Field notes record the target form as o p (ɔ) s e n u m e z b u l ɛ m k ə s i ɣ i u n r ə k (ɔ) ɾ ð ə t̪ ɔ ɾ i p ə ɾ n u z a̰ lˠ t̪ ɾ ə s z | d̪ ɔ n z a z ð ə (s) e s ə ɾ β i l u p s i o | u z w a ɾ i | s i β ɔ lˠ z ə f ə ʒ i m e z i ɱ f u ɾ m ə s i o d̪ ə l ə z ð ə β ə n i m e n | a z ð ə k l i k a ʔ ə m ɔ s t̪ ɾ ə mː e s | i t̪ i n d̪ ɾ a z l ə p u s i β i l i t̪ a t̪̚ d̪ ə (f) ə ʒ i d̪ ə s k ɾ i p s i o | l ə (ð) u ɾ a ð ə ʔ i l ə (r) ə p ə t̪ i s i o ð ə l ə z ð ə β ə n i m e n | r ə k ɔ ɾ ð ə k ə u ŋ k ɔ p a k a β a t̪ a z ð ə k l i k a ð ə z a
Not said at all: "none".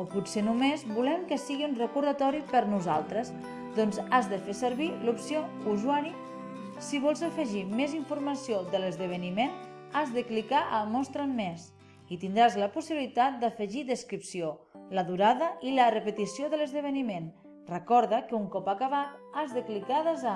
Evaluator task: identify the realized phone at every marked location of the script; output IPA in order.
u, u, f, f, ð, r

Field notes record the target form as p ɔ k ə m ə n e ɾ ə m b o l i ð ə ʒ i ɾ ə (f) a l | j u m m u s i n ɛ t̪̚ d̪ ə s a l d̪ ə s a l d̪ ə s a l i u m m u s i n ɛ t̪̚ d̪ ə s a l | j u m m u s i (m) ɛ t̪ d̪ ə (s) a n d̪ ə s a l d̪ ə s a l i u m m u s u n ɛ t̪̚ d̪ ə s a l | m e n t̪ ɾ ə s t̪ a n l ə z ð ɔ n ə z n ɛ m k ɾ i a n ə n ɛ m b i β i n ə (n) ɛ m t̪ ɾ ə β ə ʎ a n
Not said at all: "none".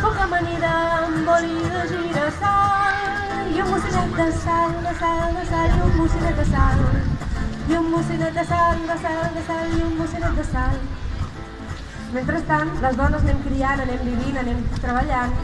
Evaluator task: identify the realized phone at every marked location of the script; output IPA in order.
s, n, s, n

